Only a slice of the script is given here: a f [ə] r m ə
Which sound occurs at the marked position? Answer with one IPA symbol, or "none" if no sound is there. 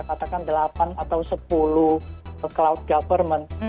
ə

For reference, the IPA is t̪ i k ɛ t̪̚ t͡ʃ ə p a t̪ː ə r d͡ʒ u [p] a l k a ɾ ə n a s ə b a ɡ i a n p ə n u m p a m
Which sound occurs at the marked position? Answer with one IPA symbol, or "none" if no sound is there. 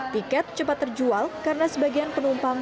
none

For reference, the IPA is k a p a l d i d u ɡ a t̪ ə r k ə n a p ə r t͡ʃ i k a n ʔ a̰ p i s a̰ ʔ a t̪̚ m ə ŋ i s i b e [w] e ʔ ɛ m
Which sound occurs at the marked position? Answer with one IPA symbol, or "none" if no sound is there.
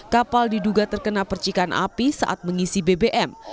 b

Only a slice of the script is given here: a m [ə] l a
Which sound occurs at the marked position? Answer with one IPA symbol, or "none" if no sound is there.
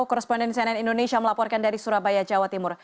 ə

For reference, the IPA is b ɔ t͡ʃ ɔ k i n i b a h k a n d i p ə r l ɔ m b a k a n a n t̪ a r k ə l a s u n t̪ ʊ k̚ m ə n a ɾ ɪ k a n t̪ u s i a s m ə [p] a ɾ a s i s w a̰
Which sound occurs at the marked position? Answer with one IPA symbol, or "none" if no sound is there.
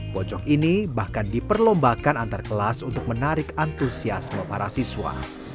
p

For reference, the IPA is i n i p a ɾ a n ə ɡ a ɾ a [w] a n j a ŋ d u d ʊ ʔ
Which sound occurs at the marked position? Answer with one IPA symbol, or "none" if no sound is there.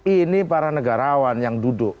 w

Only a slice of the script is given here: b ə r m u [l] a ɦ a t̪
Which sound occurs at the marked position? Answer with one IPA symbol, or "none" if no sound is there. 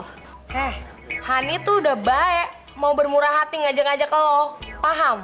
ɾ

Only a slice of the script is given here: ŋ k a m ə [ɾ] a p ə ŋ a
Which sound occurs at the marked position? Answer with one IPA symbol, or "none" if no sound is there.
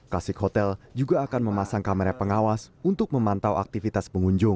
ɾ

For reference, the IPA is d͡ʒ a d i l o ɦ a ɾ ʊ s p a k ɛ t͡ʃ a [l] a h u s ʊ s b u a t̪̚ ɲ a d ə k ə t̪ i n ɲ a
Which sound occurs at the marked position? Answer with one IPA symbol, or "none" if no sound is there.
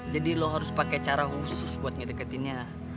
ɾ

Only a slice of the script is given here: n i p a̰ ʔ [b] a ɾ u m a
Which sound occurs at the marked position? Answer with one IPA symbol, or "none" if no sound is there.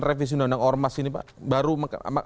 b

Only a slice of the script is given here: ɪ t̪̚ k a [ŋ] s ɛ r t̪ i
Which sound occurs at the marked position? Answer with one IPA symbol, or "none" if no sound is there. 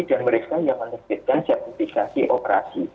n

